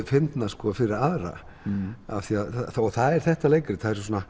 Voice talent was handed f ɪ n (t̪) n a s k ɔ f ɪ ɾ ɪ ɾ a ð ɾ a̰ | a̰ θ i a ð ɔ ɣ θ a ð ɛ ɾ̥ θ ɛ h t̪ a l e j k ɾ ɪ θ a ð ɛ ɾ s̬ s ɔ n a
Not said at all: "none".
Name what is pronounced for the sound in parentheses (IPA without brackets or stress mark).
t̪